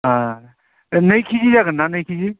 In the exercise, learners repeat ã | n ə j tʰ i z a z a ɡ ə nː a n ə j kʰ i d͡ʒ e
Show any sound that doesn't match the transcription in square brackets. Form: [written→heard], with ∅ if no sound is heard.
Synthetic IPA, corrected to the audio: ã | n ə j [tʰ→kʰ] i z [a→i] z a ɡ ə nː a n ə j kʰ i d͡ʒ [e→i]